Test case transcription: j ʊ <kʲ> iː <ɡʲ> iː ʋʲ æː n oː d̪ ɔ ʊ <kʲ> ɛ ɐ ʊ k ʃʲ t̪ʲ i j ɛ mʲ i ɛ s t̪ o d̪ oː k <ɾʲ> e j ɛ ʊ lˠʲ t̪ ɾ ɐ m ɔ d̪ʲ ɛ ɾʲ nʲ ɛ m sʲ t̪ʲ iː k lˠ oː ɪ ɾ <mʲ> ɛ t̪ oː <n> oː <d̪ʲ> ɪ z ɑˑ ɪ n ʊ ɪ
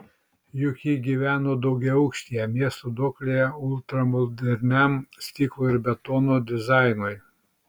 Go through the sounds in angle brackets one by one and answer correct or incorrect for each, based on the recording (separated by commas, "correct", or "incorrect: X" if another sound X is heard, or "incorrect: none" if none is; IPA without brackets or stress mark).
correct, correct, incorrect: ɡʲ, incorrect: lʲ, incorrect: bʲ, correct, correct